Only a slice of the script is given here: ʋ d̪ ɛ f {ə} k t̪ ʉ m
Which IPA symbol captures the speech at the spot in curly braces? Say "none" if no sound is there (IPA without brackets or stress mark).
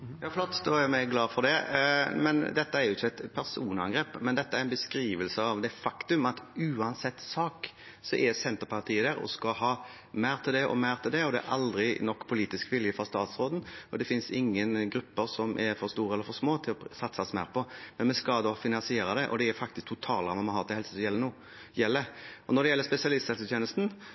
ɑ